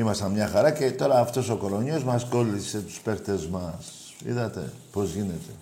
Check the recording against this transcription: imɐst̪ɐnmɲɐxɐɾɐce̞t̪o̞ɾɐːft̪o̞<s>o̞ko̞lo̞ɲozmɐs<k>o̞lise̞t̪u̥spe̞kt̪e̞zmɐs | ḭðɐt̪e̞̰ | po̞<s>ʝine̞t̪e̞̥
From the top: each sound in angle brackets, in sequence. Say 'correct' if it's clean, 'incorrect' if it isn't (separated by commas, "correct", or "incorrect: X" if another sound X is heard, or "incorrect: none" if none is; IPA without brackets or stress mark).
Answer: correct, correct, incorrect: z